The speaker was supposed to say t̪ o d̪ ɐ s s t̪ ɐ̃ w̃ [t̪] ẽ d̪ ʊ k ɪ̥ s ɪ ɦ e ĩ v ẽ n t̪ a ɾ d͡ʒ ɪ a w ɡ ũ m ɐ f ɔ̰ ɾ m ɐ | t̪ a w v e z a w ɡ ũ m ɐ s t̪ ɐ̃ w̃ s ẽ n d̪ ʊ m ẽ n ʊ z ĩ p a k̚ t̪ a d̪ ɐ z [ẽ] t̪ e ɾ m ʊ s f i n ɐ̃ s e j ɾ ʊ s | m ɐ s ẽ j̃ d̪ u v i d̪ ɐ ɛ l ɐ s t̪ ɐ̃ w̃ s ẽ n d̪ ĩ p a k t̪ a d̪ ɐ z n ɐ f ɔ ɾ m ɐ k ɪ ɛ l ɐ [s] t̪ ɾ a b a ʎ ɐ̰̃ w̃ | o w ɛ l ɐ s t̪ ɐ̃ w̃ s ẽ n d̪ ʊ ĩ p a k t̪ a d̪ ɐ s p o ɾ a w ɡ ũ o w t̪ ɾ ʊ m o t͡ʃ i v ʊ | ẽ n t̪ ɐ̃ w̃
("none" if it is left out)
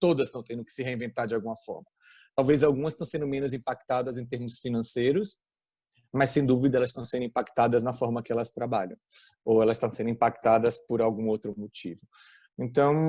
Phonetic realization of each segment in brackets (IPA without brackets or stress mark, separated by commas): t̪, ẽ, s